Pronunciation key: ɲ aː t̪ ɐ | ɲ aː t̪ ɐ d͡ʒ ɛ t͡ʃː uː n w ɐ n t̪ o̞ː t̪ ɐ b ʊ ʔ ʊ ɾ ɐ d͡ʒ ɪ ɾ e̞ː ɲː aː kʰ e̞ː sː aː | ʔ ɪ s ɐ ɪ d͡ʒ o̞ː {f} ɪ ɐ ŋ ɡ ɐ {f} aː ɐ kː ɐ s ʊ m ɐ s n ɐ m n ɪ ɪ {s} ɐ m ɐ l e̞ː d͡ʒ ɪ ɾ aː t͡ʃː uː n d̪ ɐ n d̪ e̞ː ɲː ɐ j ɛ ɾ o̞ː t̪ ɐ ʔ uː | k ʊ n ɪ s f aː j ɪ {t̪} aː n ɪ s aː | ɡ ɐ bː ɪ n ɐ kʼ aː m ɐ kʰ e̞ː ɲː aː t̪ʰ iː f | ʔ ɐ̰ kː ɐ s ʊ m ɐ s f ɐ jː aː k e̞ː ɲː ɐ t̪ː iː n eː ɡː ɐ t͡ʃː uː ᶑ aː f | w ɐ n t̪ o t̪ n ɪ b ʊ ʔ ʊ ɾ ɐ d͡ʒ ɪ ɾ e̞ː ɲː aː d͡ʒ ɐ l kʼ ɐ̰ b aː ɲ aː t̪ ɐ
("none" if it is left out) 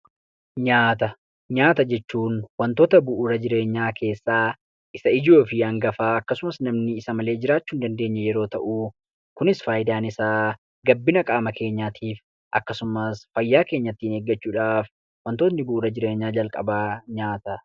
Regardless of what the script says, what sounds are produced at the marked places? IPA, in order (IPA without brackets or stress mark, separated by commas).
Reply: f, f, s, d̪